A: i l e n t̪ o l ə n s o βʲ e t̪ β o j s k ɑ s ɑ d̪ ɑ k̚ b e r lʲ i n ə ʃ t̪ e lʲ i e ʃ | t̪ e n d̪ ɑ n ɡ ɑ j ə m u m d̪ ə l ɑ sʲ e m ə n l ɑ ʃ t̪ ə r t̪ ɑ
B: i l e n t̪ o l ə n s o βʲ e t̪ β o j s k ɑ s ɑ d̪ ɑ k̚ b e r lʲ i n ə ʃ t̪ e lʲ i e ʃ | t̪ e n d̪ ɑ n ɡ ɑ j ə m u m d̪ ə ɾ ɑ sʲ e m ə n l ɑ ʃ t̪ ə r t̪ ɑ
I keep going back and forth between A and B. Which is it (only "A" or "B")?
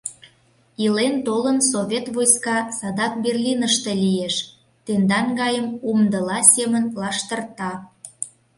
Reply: A